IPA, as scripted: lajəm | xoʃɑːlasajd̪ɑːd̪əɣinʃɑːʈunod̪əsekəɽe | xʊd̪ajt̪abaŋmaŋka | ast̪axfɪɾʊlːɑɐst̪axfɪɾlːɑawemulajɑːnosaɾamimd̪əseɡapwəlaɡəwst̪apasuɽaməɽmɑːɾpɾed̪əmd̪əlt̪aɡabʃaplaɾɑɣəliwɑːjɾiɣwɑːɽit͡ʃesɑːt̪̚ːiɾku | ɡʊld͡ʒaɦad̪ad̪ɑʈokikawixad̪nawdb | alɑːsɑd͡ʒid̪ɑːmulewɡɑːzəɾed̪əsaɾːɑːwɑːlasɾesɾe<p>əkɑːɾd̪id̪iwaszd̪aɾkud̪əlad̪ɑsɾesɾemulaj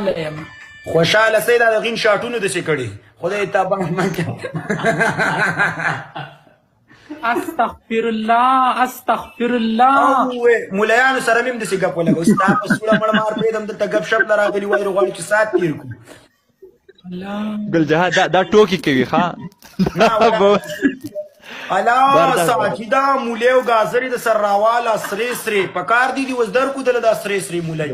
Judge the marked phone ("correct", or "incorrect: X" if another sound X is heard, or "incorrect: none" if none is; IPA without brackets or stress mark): correct